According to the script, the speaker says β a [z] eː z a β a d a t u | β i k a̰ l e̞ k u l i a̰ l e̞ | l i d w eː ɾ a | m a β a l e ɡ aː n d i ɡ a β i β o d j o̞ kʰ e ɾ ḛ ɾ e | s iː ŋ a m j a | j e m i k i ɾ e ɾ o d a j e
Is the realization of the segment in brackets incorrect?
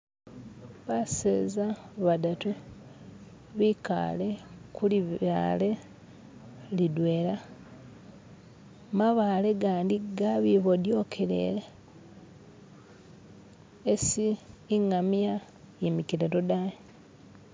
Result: yes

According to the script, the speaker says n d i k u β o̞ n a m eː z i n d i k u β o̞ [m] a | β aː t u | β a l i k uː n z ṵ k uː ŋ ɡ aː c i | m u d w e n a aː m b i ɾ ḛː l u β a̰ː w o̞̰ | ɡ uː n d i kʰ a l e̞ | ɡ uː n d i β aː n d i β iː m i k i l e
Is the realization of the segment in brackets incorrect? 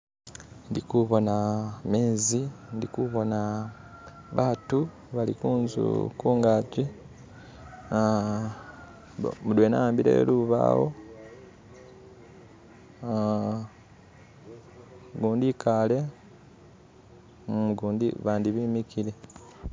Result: yes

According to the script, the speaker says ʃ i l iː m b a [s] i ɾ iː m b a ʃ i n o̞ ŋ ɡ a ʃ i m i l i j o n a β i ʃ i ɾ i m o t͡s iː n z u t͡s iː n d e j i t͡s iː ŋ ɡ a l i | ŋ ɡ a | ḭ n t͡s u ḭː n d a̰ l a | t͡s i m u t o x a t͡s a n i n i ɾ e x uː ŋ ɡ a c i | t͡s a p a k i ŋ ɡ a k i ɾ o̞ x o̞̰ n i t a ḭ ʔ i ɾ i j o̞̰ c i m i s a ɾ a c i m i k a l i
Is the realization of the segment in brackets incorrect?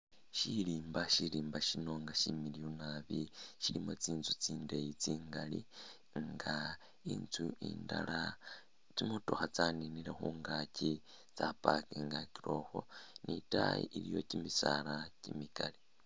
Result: yes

